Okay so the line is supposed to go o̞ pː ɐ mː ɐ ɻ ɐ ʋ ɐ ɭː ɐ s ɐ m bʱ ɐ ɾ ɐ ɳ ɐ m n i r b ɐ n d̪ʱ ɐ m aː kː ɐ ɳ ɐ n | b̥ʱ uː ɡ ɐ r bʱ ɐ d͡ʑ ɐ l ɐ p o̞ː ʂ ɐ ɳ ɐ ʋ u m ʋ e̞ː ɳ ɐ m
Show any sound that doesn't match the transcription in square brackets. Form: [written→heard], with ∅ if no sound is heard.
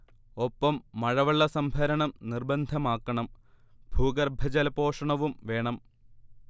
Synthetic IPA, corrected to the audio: o̞ pː ɐ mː ɐ ɻ ɐ ʋ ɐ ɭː ɐ s ɐ m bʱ ɐ ɾ ɐ ɳ ɐ m n i r b ɐ n d̪ʱ ɐ m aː kː ɐ ɳ ɐ [n→m] | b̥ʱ uː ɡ ɐ r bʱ ɐ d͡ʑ ɐ l ɐ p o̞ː ʂ ɐ ɳ ɐ ʋ u m ʋ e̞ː ɳ ɐ m

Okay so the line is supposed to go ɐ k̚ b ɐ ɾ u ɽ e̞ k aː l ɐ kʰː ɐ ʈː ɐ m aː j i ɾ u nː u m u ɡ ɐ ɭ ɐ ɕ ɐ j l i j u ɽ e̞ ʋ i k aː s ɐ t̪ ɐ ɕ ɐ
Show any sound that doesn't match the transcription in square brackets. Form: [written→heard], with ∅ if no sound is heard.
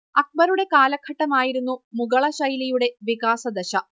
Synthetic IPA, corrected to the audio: ɐ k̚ b ɐ ɾ u ɽ e̞ k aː l ɐ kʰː ɐ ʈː ɐ m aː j i ɾ u nː u m u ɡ ɐ ɭ ɐ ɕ ɐ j l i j u ɽ e̞ ʋ i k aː s ɐ [t̪→d̪] ɐ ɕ ɐ

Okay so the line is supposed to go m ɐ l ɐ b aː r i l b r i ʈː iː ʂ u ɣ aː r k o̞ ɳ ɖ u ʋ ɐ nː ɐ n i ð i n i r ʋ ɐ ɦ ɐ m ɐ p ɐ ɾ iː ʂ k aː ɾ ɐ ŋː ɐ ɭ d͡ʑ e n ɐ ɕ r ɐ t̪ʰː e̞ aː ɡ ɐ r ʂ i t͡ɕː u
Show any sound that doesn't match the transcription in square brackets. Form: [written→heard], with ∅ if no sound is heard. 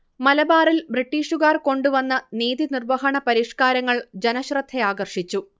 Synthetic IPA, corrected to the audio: m ɐ l ɐ b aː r i l b r i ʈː iː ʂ u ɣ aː r k o̞ ɳ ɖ u ʋ ɐ nː ɐ n [i→iː] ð i n i r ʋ ɐ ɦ ɐ [m→ɳ] ɐ p ɐ ɾ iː ʂ k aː ɾ ɐ ŋː ɐ ɭ d͡ʑ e n ɐ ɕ r ɐ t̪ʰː e̞ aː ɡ ɐ r ʂ i t͡ɕː u

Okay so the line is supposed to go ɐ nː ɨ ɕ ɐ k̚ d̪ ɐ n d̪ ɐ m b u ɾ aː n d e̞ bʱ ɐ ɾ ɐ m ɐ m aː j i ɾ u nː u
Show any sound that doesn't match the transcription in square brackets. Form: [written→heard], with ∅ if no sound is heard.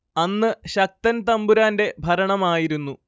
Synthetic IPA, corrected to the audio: ɐ nː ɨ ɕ ɐ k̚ [d̪→t̪] ɐ n [d̪→t̪] ɐ m b u ɾ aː n d e̞ bʱ ɐ ɾ ɐ [m→ɳ] ɐ m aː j i ɾ u nː u

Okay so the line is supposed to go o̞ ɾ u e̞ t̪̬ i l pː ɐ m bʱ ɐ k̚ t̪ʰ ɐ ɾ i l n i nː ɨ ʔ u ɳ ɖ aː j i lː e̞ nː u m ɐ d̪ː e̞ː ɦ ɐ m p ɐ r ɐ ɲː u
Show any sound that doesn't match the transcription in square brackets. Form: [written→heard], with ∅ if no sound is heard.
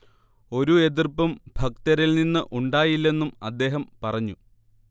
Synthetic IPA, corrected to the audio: o̞ ɾ u e̞ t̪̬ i [l→r] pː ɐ m bʱ ɐ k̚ [t̪ʰ→t̪] ɐ ɾ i l n i nː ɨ ʔ u ɳ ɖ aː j i lː e̞ nː u m ɐ d̪ː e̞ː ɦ ɐ m p ɐ r ɐ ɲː u

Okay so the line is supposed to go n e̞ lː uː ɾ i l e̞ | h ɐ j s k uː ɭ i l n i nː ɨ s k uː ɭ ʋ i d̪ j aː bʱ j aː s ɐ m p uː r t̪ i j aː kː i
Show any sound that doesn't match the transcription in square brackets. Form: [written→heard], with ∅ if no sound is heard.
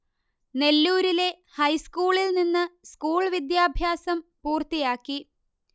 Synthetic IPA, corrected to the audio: n e̞ lː uː ɾ i l e̞ | h ɐ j s k uː ɭ i l n i nː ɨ s k uː ɭ ʋ i d̪ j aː bʱ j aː s ɐ m p uː r t̪ i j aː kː i

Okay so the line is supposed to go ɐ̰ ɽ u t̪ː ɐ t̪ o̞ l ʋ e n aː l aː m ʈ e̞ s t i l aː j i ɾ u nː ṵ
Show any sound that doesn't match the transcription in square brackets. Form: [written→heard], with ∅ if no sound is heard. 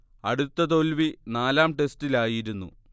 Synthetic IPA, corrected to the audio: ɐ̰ ɽ u t̪ː ɐ t̪ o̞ l ʋ [e→i] n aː l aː m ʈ e̞ s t i l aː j i ɾ u nː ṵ

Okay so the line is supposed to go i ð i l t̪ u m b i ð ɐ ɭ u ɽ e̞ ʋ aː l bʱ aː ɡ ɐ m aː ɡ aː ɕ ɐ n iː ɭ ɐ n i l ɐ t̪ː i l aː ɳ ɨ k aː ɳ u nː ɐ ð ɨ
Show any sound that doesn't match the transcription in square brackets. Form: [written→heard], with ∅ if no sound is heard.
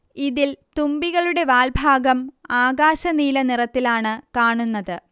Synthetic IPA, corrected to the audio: i ð i l t̪ u m b i [ð→ɣ] ɐ ɭ u ɽ e̞ ʋ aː l bʱ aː ɡ ɐ m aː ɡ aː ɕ ɐ n iː [ɭ→l] ɐ n i [l→r] ɐ t̪ː i l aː ɳ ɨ k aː ɳ u nː ɐ ð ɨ

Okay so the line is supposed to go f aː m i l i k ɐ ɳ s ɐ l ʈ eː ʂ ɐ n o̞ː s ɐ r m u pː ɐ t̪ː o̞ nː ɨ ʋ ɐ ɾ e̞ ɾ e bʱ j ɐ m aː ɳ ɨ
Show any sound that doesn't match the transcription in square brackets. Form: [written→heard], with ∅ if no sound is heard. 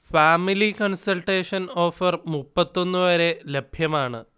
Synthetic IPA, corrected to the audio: f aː m i l i k ɐ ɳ s ɐ l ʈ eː ʂ ɐ n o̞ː [s→f] ɐ r m u pː ɐ t̪ː o̞ nː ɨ ʋ ɐ ɾ e̞ [ɾ→l] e bʱ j ɐ m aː ɳ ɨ

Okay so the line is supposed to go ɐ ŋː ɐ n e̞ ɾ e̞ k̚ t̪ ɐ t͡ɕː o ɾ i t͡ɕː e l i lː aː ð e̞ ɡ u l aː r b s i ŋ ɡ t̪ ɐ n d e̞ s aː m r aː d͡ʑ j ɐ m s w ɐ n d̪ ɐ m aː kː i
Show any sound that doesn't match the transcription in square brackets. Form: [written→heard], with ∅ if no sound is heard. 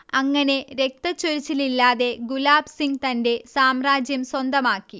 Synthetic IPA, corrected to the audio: ɐ ŋː ɐ n e̞ ɾ e̞ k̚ t̪ ɐ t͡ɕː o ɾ i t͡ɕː [e→i] l i lː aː ð e̞ ɡ u l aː [r→∅] b s i ŋ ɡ t̪ ɐ n d e̞ s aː m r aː d͡ʑ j ɐ m s w ɐ n d̪ ɐ m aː kː i

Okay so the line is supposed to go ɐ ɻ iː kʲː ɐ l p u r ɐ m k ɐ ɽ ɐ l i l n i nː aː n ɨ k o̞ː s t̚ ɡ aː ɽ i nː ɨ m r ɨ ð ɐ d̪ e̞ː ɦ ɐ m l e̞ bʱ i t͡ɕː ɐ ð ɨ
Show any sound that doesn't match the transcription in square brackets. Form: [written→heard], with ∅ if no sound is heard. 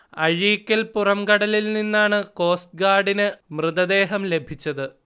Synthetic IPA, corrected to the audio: ɐ ɻ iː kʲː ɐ l p u r ɐ m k ɐ ɽ ɐ l i l n i nː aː [n→ɳ] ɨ k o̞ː s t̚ ɡ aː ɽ i [nː→n] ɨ m r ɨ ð ɐ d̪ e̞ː ɦ ɐ m l e̞ bʱ i t͡ɕː ɐ ð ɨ

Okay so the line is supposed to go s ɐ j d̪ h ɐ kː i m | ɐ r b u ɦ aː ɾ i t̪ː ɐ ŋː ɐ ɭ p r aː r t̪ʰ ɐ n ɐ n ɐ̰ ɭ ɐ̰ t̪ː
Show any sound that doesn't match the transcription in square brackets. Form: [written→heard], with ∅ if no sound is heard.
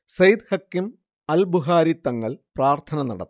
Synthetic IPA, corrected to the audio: s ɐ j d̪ h ɐ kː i m | ɐ [r→l] b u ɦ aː ɾ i t̪ː ɐ ŋː ɐ ɭ p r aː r t̪ʰ ɐ n ɐ n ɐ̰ [ɭ→ɽ] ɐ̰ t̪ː

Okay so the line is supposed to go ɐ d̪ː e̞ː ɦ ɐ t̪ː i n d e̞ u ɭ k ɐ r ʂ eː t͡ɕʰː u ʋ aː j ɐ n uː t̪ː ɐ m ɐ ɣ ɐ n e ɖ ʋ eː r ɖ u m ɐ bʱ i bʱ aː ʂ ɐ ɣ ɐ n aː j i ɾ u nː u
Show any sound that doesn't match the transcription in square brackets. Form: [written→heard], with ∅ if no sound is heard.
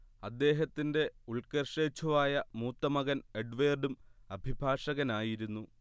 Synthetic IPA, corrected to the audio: ɐ d̪ː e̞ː ɦ ɐ t̪ː i n d e̞ u ɭ k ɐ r ʂ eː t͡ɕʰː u ʋ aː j ɐ [n→m] uː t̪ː ɐ m ɐ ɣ ɐ n e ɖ ʋ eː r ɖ u m ɐ bʱ i bʱ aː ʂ ɐ ɣ ɐ n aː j i ɾ u nː u

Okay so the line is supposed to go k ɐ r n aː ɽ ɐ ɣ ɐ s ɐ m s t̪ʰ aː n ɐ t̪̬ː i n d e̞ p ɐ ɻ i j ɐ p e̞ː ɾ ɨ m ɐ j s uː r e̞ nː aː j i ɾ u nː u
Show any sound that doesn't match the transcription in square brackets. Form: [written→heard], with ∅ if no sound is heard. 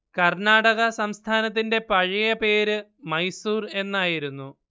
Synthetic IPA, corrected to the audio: k ɐ r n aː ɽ ɐ ɣ ɐ s ɐ m s t̪ʰ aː n ɐ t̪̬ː i n d e̞ p ɐ ɻ i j ɐ p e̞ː ɾ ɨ m ɐ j s uː r e̞ nː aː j i ɾ u nː u

